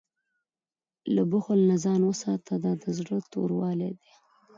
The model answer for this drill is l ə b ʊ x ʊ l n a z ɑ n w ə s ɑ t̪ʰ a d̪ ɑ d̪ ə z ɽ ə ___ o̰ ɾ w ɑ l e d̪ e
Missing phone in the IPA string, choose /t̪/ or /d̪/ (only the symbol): t̪